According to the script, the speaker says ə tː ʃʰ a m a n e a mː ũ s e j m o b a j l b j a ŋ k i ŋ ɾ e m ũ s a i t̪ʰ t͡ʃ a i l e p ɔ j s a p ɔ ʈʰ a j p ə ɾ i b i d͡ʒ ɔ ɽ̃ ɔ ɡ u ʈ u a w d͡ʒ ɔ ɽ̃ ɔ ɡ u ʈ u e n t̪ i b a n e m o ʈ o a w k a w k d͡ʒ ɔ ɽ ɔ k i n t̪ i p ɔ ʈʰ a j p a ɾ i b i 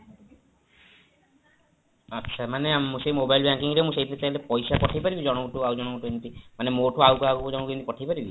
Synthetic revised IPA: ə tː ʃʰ a m a n e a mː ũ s e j m o b a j l b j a ŋ k i ŋ ɾ e m ũ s e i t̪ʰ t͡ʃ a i l e p ɔ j s a p ɔ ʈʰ a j p a ɾ i b i d͡ʒ ɔ ɽ̃ ɔ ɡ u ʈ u a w d͡ʒ ɔ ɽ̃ ɔ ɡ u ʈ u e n t̪ i m a n e m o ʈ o a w k a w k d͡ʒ ɔ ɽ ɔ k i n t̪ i p ɔ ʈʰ a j p a ɾ i b i